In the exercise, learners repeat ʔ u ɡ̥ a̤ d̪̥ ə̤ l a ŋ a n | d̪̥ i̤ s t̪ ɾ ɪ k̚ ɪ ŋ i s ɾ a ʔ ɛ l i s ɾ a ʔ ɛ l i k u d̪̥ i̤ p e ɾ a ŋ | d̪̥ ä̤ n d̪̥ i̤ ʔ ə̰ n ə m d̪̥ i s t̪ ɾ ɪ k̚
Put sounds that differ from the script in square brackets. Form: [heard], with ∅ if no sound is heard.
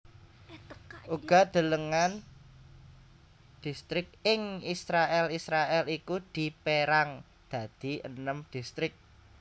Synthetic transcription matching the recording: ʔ u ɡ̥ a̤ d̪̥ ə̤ l [ə] ŋ a n | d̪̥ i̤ s t̪ ɾ ɪ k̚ ɪ ŋ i s ɾ a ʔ ɛ l i s ɾ a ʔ ɛ l i k u d̪̥ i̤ p e ɾ a ŋ | d̪̥ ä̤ [∅] d̪̥ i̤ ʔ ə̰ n ə m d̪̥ i s t̪ ɾ ɪ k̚